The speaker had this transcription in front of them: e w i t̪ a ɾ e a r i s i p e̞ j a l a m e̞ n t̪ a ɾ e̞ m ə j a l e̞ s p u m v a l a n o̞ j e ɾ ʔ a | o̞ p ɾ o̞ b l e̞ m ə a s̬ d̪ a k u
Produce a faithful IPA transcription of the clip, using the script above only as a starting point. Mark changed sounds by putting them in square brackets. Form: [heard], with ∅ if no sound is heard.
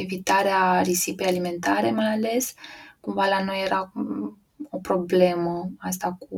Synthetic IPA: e [v] i t̪ a ɾ e a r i s i p e̞ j a l [i] m e̞ n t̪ a ɾ e̞ m [a] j a l e̞ s [k] u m v a l a n o̞ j e ɾ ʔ a | o̞ p ɾ o̞ b l e̞ m ə a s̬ [t̪] a k u